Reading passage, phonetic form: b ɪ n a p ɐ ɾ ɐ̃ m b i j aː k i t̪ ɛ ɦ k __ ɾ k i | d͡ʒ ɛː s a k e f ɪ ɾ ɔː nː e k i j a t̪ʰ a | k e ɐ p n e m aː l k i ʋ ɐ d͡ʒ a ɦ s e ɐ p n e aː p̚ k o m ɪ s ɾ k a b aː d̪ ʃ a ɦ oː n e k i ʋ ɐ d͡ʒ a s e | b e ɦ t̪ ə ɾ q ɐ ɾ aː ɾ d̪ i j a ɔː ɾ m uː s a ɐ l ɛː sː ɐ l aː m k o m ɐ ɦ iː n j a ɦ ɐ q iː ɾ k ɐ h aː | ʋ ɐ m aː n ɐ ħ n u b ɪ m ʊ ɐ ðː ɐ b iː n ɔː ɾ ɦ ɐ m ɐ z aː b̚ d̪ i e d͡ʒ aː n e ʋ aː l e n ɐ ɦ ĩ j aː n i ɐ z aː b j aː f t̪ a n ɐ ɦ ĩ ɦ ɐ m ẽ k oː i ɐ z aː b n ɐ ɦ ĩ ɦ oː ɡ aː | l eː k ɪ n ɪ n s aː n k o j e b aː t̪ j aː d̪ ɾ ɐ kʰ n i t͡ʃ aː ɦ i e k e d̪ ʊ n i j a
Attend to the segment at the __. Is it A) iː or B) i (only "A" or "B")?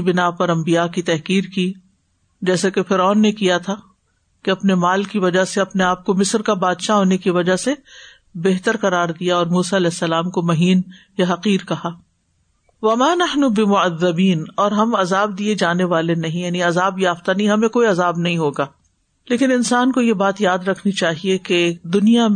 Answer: A